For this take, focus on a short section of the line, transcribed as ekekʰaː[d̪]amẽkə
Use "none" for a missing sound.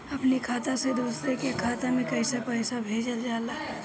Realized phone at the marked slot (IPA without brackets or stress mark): t̪